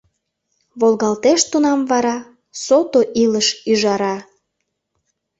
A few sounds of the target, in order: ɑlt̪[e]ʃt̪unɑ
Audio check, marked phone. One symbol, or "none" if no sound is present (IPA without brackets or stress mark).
e